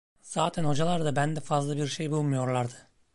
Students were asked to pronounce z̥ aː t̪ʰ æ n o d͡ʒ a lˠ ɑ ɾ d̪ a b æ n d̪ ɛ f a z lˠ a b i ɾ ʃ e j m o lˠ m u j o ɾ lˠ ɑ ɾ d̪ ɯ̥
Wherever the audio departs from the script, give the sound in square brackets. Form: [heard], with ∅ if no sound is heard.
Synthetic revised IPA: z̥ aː t̪ʰ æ n o d͡ʒ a lˠ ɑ ɾ d̪ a b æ n d̪ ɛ f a z lˠ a b i ɾ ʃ e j [b] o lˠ m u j o ɾ lˠ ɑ ɾ d̪ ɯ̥